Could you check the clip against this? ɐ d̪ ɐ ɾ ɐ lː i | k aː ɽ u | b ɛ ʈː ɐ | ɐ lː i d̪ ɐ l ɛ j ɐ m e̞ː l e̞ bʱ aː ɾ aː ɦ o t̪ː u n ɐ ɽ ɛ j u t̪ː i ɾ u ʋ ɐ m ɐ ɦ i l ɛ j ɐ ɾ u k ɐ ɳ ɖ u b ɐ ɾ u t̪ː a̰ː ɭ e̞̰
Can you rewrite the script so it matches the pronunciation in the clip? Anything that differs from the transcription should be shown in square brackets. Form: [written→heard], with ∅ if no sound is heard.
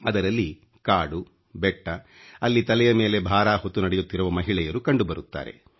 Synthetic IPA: ɐ d̪ ɐ ɾ ɐ lː i | k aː ɽ u | b ɛ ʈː ɐ | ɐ lː i [d̪→t̪] ɐ l ɛ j ɐ m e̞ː l e̞ bʱ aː ɾ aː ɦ o t̪ː u n ɐ ɽ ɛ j u t̪ː i ɾ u ʋ ɐ m ɐ ɦ i [l→ɭ] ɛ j ɐ ɾ u k ɐ ɳ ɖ u b ɐ ɾ u t̪ː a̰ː [ɭ→ɾ] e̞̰